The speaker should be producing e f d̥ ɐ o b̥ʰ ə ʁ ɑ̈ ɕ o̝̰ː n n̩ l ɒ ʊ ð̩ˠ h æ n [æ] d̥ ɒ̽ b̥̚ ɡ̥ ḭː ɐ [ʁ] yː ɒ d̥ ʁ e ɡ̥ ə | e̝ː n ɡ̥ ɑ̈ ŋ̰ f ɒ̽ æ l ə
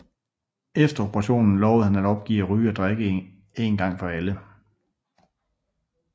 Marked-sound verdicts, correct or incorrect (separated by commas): correct, correct